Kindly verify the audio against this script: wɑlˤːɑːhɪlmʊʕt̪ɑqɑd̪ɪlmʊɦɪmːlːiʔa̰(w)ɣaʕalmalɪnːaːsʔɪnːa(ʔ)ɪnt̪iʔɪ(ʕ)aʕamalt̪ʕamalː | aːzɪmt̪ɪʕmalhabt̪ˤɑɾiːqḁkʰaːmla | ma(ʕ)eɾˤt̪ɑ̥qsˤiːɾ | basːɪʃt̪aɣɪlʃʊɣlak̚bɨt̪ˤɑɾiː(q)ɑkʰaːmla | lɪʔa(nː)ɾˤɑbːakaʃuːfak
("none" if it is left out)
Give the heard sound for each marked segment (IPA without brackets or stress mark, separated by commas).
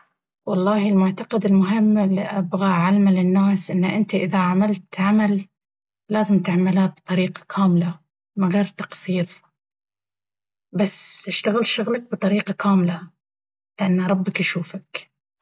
b, ʔ, ð, ɣ, q, nː